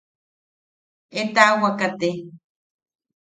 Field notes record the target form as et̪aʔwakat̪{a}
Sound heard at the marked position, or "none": e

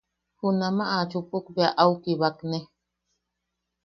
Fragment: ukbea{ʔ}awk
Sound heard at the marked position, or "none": ʔ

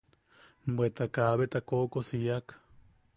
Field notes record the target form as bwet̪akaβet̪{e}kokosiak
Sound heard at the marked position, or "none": a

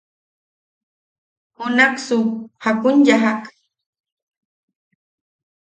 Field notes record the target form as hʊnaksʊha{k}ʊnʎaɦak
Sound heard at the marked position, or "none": k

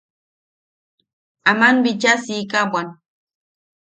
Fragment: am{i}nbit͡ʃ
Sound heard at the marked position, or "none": a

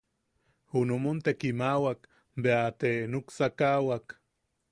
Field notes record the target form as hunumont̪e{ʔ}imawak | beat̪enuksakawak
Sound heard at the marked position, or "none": k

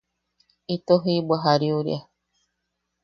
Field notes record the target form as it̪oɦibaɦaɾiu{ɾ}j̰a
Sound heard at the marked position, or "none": ɾ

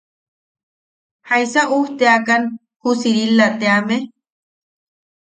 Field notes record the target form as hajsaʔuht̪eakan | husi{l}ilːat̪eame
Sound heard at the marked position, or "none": ɾ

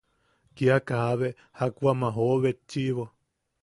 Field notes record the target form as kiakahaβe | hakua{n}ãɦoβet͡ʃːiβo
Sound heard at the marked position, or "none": m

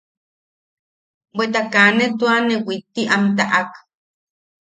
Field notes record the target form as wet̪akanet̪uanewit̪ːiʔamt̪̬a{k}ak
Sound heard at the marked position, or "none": ʔ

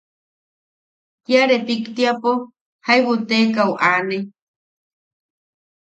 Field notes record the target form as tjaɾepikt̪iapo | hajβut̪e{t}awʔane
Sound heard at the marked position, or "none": k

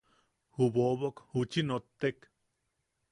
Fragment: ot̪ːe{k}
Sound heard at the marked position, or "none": k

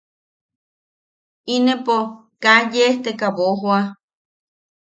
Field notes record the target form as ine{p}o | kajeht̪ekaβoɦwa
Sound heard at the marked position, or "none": p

